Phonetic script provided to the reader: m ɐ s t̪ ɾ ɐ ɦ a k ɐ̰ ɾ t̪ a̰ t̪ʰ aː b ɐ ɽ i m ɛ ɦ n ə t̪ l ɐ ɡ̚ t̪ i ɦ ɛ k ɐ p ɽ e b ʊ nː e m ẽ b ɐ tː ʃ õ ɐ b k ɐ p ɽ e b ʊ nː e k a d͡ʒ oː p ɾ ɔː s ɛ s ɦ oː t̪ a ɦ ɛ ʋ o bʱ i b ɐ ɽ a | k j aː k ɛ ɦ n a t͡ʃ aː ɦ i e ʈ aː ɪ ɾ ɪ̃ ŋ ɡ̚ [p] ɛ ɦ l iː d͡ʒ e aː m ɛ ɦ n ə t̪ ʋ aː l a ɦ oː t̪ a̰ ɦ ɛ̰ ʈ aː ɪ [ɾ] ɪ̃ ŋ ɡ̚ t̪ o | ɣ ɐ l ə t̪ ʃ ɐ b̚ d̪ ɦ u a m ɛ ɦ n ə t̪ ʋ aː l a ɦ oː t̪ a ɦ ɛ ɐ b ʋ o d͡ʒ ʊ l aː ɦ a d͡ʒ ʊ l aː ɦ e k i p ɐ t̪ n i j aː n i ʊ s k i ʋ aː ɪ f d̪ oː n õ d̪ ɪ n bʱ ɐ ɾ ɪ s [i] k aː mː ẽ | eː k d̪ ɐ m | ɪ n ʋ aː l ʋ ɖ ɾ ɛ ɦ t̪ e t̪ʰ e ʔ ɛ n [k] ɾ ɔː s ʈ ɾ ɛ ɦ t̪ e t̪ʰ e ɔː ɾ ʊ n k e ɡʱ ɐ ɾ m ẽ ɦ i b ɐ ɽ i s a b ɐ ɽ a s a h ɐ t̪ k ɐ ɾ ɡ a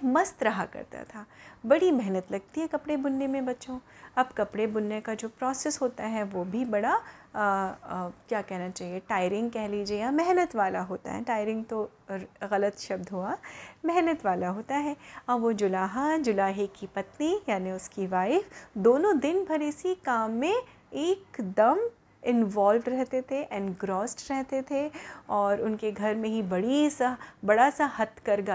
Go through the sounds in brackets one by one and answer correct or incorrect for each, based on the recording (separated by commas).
incorrect, correct, correct, incorrect